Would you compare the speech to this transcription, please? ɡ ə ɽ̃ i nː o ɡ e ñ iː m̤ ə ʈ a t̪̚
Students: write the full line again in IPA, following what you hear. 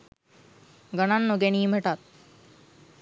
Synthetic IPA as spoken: ɡ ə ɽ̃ a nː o ɡ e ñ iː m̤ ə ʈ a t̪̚

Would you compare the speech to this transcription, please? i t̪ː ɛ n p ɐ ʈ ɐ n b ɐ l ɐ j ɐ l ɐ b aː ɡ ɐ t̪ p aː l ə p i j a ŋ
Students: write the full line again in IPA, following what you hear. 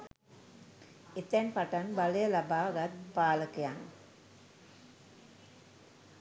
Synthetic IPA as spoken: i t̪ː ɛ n p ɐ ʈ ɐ n b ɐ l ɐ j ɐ l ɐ b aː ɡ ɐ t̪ p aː l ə k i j a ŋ

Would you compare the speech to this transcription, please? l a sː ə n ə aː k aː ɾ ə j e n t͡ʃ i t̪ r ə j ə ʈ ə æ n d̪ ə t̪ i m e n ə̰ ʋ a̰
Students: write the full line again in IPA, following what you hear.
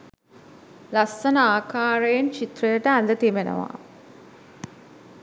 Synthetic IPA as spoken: l a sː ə n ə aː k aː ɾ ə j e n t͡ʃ i t̪ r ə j ə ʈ ə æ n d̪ ə t̪ i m e n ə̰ ʋ a̰

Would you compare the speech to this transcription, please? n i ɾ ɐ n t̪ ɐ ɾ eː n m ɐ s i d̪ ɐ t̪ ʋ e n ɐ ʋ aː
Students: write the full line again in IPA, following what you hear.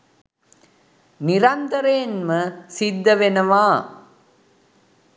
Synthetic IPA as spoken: n i ɾ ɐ n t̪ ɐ ɾ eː n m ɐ s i d̪ː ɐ ʋ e n ɐ ʋ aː

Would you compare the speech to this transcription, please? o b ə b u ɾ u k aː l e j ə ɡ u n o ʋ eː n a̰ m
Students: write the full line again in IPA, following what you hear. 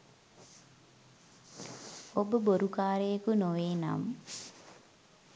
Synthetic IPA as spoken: o b ə b o ɾ u k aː ɾ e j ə k u n o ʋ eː n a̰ m

